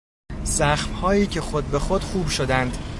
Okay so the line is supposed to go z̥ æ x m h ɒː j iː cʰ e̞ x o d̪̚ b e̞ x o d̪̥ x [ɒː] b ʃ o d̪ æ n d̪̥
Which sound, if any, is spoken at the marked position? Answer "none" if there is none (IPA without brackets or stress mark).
uː